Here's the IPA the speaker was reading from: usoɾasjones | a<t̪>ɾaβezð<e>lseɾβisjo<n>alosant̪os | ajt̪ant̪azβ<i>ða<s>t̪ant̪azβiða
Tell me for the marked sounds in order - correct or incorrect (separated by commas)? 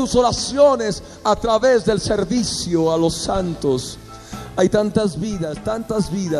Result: correct, correct, incorrect, correct, correct